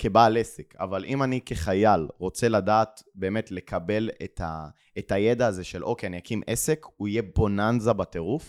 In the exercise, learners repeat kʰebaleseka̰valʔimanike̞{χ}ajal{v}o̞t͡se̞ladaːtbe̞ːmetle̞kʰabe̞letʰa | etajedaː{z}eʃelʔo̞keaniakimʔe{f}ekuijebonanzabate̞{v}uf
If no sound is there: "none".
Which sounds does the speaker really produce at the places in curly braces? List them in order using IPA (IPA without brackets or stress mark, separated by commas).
χ, ʁ, z, s, ʁ